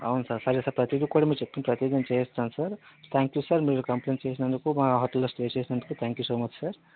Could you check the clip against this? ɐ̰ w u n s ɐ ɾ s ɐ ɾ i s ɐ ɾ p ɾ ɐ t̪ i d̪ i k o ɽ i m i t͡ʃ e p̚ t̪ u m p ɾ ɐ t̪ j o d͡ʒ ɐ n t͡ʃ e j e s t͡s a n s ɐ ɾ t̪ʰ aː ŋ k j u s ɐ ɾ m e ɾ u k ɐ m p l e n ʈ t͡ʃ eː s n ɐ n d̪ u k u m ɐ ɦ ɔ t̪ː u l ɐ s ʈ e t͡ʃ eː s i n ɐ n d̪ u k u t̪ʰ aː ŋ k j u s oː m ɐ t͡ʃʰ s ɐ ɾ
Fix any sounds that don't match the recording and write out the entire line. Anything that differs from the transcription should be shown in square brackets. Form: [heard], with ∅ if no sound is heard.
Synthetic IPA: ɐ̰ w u n s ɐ ɾ s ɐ ɾ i s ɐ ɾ p ɾ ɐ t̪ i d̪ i k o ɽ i m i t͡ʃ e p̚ t̪ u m p ɾ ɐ t̪ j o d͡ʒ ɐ n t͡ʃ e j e s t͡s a n s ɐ ɾ t̪ʰ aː ŋ k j u s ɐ ɾ m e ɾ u k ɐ m p l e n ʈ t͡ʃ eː s n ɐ n d̪ u k u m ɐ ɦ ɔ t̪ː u l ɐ s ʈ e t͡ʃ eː s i n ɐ n d̪ u k u t̪ʰ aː ŋ k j u s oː m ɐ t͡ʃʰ s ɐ ɾ